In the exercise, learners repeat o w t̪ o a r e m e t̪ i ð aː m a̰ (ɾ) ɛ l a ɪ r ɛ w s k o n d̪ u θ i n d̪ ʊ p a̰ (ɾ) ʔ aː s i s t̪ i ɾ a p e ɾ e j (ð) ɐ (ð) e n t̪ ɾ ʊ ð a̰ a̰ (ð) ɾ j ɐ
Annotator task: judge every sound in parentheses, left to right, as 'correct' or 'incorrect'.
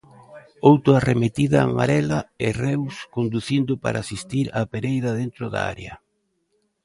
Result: correct, correct, correct, correct, incorrect

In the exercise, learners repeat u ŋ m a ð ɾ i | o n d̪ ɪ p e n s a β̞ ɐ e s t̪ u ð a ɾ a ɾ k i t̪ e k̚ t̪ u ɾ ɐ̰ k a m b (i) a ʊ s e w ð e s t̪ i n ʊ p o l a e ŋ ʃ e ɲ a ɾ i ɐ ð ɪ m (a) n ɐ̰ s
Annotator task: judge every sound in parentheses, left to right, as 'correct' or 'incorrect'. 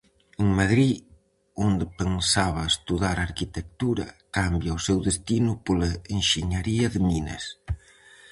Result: incorrect, incorrect

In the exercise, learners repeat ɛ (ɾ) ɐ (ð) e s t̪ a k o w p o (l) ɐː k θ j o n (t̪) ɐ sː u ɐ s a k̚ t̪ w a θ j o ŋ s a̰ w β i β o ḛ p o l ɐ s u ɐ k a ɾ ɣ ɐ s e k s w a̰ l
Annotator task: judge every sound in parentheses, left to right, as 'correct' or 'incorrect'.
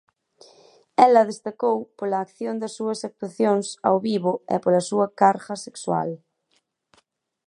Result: incorrect, correct, correct, incorrect

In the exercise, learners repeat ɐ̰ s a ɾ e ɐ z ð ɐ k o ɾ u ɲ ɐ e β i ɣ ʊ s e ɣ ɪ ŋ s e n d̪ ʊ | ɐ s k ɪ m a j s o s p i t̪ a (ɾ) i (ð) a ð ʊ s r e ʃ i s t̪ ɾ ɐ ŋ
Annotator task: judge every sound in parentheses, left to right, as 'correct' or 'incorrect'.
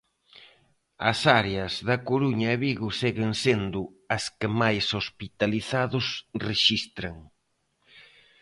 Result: incorrect, incorrect

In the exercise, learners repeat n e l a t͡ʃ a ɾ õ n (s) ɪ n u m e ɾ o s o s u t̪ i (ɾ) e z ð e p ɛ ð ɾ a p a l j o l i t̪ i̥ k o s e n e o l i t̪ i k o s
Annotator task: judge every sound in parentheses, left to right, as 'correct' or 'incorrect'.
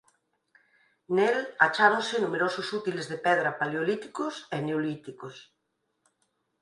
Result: correct, incorrect

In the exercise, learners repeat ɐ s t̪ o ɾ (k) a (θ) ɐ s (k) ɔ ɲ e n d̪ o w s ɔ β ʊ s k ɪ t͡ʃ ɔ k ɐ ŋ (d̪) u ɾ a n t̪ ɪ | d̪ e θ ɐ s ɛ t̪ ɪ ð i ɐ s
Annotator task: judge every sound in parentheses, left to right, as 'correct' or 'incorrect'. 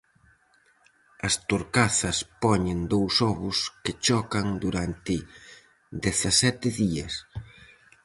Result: correct, correct, incorrect, correct

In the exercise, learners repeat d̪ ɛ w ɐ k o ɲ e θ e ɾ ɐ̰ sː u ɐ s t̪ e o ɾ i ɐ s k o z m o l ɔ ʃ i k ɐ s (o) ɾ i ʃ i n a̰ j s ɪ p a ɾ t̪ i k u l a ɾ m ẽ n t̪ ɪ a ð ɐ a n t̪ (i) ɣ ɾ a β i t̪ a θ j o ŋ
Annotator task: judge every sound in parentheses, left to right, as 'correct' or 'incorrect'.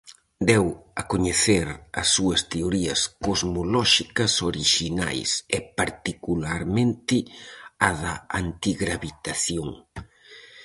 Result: correct, correct

